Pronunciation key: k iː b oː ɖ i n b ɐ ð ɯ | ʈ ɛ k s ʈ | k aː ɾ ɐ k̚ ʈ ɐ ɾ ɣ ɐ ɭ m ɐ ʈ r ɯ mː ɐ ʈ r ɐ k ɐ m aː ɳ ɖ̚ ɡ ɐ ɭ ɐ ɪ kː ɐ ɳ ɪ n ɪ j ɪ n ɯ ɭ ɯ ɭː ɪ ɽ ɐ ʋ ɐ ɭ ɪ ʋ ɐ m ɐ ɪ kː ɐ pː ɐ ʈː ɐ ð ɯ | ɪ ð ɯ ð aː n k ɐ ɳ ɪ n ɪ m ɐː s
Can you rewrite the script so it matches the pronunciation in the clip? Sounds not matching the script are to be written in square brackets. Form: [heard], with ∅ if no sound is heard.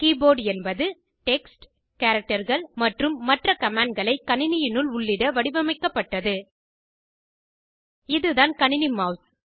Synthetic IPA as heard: k iː b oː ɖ [ɛ] n b ɐ ð ɯ | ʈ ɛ k s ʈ | k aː ɾ ɐ k̚ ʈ ɐ ɾ ɣ ɐ ɭ m ɐ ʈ r ɯ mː ɐ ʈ r ɐ k ɐ m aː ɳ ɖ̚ ɡ ɐ ɭ ɐ ɪ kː ɐ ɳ ɪ n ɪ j ɪ n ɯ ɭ [ʊ] ɭː ɪ ɽ ɐ ʋ ɐ [ɽ] ɪ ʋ ɐ m ɐ ɪ kː ɐ pː ɐ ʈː ɐ ð ɯ | ɪ ð ɯ ð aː n k ɐ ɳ ɪ n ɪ m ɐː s